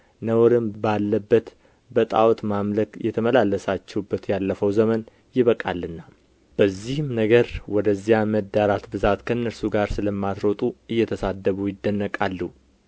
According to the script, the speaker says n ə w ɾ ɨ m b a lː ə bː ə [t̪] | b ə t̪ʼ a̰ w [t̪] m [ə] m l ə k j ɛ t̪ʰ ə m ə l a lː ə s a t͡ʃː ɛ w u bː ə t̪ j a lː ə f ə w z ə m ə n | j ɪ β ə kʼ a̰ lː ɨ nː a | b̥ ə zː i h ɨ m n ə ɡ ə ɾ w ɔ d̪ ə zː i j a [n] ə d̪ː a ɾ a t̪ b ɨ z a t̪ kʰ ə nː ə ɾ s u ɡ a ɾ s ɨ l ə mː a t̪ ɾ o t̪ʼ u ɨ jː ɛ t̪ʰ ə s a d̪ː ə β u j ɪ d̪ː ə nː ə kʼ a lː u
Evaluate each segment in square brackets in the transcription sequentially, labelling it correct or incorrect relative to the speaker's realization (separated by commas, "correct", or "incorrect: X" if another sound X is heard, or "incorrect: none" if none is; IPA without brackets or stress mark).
correct, correct, incorrect: a, incorrect: m